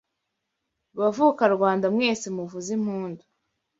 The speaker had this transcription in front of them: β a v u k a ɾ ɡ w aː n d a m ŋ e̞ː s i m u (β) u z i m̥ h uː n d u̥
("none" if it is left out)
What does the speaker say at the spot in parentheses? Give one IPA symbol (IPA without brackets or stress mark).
v